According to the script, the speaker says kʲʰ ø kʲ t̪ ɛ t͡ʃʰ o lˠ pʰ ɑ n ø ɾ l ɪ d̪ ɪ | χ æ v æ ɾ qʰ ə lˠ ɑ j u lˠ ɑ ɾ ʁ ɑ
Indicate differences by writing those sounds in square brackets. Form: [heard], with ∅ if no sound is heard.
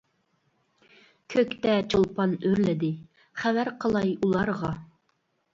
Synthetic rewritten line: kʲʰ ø kʲ t̪ ɛ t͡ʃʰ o lˠ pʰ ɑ n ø ɾ l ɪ d̪ ɪ | χ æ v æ ɾ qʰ ə lˠ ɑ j u lˠ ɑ ɾ ʁ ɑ